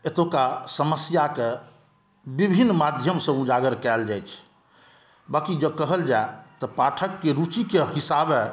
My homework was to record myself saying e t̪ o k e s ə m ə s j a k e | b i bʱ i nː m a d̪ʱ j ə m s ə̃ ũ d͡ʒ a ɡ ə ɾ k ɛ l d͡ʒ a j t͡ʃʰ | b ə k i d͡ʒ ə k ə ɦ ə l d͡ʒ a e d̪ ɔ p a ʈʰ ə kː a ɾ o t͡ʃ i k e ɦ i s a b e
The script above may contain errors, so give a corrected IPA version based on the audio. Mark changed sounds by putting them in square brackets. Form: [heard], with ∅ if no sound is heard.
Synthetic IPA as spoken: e t̪ o k [a] s ə m ə s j a k e | b i bʱ i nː m a d̪ʱ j ə m s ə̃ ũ d͡ʒ a ɡ ə ɾ k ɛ l d͡ʒ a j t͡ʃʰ | b [a] k i d͡ʒ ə k ə ɦ ə l d͡ʒ a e [t̪] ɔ p a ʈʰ ə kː [e] ɾ [u] t͡ʃ i k e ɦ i s a b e